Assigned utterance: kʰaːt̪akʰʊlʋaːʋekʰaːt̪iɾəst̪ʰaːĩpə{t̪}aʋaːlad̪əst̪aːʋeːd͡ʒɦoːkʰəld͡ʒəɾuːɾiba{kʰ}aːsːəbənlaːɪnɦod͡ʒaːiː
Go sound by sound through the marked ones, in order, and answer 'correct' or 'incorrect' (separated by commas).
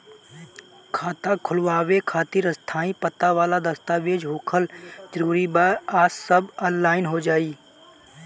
correct, incorrect